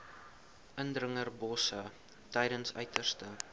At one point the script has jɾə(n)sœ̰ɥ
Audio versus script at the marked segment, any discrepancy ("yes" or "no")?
no